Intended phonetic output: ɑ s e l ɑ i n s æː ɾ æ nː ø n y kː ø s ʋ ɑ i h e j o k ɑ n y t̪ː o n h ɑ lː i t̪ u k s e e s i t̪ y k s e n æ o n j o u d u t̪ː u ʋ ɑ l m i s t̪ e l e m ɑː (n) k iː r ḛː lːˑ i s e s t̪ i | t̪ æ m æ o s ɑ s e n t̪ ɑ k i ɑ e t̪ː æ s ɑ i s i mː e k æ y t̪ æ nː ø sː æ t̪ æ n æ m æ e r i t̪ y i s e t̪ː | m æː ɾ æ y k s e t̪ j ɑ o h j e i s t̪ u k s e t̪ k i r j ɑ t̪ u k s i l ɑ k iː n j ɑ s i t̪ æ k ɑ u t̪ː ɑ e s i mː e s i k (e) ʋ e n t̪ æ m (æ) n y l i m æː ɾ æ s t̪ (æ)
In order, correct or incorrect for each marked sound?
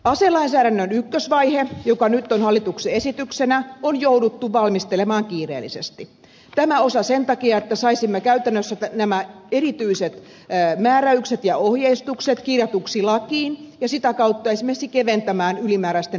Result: incorrect: ŋ, correct, incorrect: æː, incorrect: e

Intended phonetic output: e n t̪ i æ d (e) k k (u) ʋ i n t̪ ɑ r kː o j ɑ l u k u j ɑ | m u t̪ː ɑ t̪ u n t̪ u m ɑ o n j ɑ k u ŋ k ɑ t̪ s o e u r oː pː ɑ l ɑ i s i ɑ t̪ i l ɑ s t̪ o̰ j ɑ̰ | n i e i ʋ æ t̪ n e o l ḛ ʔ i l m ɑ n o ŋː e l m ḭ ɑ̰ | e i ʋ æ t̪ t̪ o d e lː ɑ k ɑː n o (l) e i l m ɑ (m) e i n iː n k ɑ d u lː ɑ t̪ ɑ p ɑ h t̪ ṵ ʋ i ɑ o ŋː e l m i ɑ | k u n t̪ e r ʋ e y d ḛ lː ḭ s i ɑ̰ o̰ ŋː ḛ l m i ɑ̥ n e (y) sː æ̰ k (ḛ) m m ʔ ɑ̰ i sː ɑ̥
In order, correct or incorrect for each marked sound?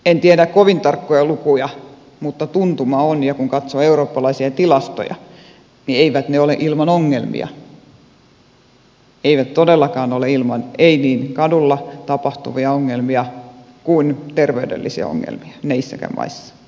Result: incorrect: æ, incorrect: o, correct, incorrect: n, incorrect: i, incorrect: æ̰

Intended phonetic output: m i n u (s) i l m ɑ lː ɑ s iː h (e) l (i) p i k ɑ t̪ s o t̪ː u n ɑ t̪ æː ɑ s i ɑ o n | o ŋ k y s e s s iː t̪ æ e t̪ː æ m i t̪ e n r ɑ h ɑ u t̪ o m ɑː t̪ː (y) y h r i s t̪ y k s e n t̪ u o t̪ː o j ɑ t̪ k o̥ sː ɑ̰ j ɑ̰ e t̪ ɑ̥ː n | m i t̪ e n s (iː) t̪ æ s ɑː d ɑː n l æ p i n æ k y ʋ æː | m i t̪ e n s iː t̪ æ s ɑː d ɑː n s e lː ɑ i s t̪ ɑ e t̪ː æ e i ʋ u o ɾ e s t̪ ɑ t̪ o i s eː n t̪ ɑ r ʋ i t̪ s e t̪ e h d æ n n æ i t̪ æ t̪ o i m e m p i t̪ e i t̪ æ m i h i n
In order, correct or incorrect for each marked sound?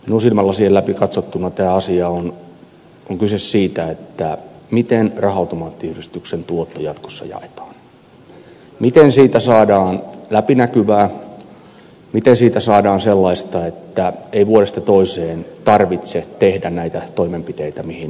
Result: correct, correct, incorrect: æ, incorrect: i, correct

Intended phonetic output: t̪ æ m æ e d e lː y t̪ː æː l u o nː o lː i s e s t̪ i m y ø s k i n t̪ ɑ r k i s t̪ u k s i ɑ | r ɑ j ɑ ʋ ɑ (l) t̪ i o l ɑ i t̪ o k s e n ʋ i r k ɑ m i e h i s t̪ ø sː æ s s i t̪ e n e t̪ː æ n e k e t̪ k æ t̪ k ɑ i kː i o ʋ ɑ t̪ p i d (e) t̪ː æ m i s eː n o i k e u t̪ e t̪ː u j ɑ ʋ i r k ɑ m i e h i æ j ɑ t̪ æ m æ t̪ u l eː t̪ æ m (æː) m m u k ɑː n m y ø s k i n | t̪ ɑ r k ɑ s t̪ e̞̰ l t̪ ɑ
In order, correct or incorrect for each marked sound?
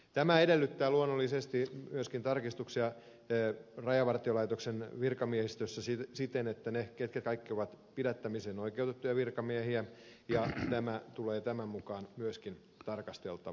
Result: incorrect: r, incorrect: æ, incorrect: æ

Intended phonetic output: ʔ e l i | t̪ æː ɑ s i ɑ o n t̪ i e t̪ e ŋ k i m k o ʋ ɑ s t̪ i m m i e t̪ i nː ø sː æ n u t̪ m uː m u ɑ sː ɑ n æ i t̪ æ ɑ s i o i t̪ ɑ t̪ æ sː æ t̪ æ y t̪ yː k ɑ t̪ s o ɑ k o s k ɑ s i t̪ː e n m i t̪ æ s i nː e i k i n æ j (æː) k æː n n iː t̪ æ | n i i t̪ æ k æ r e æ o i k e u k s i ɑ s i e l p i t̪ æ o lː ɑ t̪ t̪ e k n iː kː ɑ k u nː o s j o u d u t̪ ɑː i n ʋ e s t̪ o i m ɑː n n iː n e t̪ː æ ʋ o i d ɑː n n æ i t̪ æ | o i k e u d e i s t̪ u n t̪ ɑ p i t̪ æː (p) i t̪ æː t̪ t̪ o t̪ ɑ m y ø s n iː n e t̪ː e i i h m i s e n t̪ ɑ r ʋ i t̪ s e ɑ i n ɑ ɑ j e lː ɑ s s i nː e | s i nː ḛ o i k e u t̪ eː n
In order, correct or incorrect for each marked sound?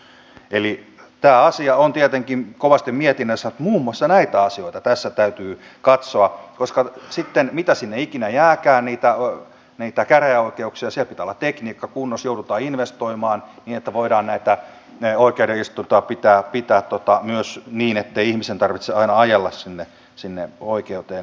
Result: correct, correct

